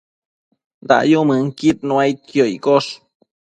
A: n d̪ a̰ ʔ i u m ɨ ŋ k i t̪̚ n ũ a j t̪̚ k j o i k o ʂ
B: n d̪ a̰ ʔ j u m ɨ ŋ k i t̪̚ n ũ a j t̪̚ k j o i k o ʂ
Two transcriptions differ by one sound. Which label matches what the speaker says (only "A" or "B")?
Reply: B